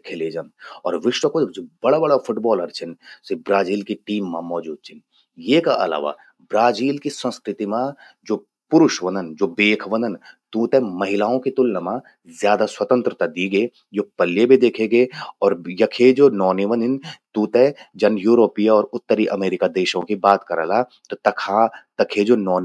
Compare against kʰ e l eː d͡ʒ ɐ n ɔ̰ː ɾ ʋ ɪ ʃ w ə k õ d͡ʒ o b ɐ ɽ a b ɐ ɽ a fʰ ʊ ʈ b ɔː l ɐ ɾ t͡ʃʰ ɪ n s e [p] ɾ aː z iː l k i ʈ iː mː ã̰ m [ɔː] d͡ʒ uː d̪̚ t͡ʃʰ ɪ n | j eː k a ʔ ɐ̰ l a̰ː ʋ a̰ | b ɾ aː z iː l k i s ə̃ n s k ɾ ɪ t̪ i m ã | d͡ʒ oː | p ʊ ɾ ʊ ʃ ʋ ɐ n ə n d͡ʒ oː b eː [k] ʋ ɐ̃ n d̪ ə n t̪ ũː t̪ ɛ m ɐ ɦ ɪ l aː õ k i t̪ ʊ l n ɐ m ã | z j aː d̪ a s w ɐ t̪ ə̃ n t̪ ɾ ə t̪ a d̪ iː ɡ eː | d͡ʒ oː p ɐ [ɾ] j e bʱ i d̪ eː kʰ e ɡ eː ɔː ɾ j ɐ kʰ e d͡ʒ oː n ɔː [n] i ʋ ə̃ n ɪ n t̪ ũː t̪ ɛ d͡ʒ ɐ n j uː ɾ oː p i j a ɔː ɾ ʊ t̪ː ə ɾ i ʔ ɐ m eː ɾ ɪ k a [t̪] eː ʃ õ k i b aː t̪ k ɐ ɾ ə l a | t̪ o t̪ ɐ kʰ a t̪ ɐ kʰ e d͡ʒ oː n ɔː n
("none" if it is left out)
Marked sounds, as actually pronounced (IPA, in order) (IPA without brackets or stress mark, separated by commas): b, ɔː, kʰ, l, n, d̪